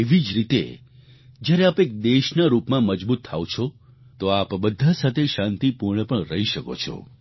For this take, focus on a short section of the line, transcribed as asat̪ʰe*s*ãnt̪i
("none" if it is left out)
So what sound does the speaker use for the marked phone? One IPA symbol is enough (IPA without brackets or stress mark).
ʃ